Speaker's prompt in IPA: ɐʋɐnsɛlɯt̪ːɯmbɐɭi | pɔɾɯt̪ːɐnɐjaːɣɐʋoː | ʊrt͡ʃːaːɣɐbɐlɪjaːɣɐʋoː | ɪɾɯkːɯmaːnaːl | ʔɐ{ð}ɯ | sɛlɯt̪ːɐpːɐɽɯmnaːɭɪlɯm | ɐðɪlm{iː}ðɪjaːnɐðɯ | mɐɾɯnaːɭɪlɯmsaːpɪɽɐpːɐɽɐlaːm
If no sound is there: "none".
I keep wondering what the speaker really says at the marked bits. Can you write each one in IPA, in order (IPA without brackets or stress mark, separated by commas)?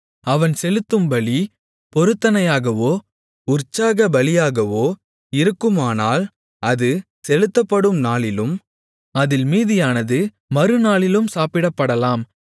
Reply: ð, iː